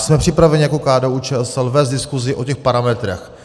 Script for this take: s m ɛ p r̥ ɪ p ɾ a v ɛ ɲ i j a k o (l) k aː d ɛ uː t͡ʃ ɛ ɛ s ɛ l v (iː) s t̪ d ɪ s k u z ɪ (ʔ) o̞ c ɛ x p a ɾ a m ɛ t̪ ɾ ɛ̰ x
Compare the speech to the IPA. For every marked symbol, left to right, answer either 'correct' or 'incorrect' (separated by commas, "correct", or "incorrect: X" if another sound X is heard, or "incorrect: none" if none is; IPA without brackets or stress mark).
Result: incorrect: none, incorrect: ɛː, correct